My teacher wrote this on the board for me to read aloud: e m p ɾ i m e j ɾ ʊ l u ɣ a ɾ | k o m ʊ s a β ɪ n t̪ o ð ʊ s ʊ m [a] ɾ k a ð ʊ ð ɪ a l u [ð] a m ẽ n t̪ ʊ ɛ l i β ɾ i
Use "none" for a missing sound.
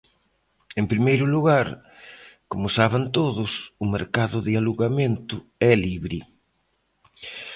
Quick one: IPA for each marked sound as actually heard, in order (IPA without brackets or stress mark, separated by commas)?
e, ɣ